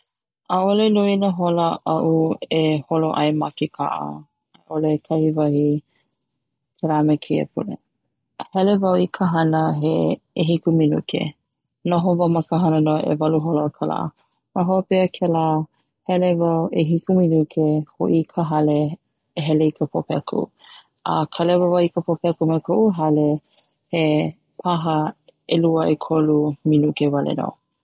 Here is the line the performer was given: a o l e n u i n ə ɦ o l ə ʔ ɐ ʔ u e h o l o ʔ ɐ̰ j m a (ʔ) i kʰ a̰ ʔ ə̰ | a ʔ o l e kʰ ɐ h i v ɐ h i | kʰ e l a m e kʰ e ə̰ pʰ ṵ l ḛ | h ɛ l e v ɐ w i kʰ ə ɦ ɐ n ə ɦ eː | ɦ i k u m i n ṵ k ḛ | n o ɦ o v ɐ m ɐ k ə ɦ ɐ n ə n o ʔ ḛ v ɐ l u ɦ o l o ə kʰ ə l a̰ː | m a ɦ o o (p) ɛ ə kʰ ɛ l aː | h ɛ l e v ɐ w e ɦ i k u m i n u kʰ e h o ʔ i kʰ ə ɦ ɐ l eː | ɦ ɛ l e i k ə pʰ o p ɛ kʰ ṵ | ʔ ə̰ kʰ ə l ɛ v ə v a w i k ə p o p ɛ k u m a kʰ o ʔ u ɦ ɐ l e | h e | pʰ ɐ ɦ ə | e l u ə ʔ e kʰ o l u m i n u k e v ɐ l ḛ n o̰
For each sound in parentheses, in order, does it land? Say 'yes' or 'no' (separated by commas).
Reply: no, yes